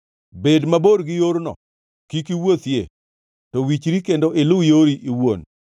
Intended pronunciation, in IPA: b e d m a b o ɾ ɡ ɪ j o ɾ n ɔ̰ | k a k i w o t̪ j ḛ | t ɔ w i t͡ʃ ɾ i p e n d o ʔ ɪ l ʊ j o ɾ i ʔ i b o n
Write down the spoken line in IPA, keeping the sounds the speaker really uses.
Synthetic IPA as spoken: b e d m a b o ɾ ɡ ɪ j o ɾ n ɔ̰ | k i k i w o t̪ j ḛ | t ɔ w i t͡ʃ ɾ i k e n d o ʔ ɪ l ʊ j o ɾ i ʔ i w o n